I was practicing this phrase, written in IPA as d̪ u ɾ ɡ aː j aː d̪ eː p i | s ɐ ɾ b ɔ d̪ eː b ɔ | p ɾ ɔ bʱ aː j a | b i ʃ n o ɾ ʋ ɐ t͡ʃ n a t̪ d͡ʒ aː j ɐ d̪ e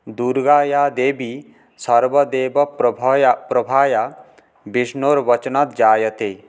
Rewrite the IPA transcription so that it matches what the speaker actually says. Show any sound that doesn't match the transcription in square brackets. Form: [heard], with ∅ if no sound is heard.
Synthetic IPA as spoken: d̪ u ɾ ɡ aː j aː d̪ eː [b] i | s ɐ ɾ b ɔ d̪ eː b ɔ | p ɾ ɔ bʱ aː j a | b i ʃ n o ɾ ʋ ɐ t͡ʃ n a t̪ d͡ʒ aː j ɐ [t̪] e

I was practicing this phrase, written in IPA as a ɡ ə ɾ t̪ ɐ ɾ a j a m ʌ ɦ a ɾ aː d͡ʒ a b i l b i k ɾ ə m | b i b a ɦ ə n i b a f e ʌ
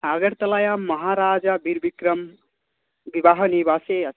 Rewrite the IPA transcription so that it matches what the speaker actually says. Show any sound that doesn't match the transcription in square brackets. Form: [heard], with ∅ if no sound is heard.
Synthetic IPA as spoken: a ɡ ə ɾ t̪ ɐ [l] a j a m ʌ ɦ a ɾ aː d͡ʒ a b i [ɾ] b i k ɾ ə m | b i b a ɦ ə n i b a [s] e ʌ

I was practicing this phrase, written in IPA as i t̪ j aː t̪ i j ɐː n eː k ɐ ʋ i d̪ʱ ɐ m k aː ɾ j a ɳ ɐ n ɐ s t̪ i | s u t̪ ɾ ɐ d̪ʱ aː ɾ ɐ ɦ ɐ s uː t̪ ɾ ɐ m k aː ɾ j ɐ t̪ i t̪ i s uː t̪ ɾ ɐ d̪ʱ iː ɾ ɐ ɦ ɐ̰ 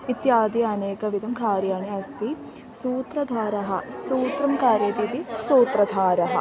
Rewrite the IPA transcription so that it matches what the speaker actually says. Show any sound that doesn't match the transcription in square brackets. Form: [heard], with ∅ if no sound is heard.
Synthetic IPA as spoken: i t̪ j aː [d̪] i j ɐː n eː k ɐ ʋ i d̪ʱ ɐ m k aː ɾ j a ɳ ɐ [∅] ɐ s t̪ i | s [uː] t̪ ɾ ɐ d̪ʱ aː ɾ ɐ ɦ ɐ s uː t̪ ɾ ɐ m k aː ɾ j ɐ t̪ i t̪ i s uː t̪ ɾ ɐ d̪ʱ [aː] ɾ ɐ ɦ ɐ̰

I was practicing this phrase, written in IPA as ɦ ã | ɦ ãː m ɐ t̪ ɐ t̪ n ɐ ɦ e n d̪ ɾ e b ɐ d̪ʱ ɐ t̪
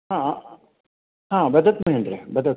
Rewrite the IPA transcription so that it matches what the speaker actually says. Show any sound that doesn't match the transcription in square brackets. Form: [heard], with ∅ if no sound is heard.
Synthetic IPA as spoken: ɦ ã | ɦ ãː [b] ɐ [d̪] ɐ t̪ [m] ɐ ɦ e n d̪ ɾ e b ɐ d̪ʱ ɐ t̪

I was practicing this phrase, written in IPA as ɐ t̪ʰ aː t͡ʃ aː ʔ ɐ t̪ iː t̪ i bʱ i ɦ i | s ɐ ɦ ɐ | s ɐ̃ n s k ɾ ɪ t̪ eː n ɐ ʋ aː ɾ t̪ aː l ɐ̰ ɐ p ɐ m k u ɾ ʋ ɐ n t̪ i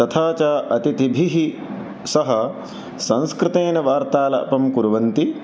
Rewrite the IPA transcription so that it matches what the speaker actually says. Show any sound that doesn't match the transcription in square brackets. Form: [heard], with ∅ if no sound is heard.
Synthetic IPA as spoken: ɐ t̪ʰ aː t͡ʃ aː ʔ ɐ t̪ [i] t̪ i bʱ i ɦ i | s ɐ ɦ ɐ | s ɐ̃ n s k ɾ ɪ t̪ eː n ɐ ʋ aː ɾ t̪ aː l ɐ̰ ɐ p ɐ m k u ɾ ʋ ɐ n t̪ i

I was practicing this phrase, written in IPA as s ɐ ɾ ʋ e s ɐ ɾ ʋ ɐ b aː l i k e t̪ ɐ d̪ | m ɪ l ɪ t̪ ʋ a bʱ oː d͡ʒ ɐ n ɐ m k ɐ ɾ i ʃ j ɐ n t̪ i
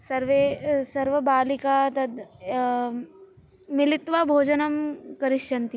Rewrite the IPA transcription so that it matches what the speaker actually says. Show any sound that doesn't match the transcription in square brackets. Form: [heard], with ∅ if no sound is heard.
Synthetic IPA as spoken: s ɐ ɾ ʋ e s ɐ ɾ ʋ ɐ b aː l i k [a] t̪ ɐ d̪ | m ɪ l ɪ t̪ ʋ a bʱ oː d͡ʒ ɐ n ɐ m k ɐ ɾ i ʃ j ɐ n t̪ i

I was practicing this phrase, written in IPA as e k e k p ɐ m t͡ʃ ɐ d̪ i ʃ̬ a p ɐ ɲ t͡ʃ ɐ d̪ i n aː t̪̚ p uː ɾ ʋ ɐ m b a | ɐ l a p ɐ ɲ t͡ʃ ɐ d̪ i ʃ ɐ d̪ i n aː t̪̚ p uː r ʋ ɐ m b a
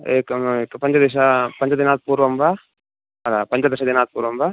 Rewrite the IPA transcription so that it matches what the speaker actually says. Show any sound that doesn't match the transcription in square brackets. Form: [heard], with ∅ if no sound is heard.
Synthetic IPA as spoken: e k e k p ɐ [ɲ] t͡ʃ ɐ d̪ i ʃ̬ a p ɐ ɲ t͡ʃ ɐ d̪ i n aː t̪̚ p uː ɾ ʋ ɐ m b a | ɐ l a p ɐ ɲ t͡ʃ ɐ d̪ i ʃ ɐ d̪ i n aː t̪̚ p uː [ɾ] ʋ ɐ m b a

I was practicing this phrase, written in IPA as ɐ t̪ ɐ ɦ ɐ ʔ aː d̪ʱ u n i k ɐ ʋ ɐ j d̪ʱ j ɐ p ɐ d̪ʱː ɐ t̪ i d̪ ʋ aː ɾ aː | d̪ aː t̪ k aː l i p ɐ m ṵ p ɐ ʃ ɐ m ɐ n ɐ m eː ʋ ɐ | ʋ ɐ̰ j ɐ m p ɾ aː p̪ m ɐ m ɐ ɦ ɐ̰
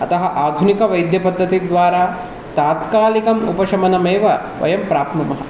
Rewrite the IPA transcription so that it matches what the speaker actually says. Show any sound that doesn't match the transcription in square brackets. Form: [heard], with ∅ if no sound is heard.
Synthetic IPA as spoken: ɐ t̪ ɐ ɦ ɐ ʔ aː d̪ʱ u n i k ɐ ʋ ɐ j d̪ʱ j ɐ p ɐ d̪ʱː ɐ t̪ i d̪ ʋ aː ɾ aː | [t̪] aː t̪ k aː l i [k] ɐ m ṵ p ɐ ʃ ɐ m ɐ n ɐ m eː ʋ ɐ | ʋ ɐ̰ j ɐ m p ɾ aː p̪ m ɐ m ɐ ɦ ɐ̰

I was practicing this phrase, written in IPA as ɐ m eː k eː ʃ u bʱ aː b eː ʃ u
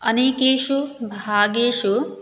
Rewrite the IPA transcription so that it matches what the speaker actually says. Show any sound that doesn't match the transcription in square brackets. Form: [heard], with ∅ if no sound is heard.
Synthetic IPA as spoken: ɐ [n] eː k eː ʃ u bʱ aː [ɡ] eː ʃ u

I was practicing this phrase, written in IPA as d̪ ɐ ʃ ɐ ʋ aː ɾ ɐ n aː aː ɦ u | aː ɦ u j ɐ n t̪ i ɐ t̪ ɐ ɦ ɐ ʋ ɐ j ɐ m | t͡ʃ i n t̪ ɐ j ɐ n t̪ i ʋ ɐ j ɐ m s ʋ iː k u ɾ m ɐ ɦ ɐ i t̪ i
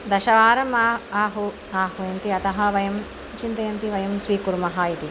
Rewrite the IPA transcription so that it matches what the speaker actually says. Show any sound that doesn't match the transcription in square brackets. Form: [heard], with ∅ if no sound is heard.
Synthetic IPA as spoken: d̪ ɐ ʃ ɐ ʋ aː ɾ ɐ [m] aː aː ɦ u | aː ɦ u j ɐ n t̪ i ɐ t̪ ɐ ɦ ɐ ʋ ɐ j ɐ m | t͡ʃ i n t̪ ɐ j ɐ n t̪ i ʋ ɐ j ɐ m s ʋ iː k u ɾ m ɐ ɦ ɐ i t̪ i

